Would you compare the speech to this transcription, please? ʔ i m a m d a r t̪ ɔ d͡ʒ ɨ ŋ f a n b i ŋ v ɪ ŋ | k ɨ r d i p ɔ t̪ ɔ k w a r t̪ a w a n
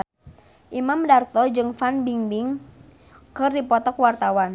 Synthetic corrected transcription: ʔ i m a m d a r t̪ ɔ d͡ʒ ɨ ŋ f a n b i ŋ b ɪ ŋ | k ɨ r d i p ɔ t̪ ɔ k w a r t̪ a w a n